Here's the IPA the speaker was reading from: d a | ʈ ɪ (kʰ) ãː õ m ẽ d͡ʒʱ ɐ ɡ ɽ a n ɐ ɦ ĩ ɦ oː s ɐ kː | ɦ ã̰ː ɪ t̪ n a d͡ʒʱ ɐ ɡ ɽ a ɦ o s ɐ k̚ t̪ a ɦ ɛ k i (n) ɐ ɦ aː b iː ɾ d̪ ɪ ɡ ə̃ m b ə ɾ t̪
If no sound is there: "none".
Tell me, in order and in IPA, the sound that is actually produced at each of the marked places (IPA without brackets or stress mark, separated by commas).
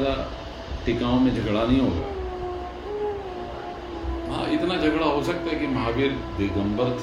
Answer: k, m